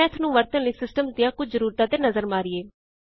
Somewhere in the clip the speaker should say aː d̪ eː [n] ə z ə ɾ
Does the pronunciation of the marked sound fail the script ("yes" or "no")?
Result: no